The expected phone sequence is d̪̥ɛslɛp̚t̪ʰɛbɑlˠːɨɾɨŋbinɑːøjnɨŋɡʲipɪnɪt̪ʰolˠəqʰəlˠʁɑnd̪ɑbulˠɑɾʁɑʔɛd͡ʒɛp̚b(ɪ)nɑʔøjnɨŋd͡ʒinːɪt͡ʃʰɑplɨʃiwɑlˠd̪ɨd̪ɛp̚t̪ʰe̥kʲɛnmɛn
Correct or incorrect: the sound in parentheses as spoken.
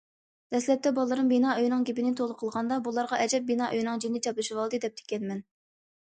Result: incorrect: i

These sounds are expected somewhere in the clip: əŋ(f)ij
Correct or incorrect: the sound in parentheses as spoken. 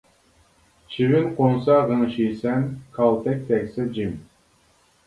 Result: incorrect: ʃ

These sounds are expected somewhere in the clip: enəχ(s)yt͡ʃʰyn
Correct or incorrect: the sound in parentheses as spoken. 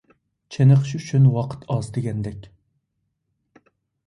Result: incorrect: ʃ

